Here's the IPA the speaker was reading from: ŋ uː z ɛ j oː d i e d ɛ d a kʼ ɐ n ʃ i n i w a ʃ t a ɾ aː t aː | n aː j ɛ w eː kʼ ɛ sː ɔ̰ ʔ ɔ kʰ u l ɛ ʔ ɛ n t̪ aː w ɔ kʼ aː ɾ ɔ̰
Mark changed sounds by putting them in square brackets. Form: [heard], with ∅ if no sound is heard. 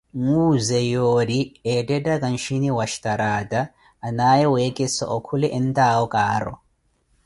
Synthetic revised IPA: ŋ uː z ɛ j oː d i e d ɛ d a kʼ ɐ n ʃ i n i w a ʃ t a ɾ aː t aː | n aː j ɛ w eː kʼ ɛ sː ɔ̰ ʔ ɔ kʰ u l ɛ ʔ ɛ n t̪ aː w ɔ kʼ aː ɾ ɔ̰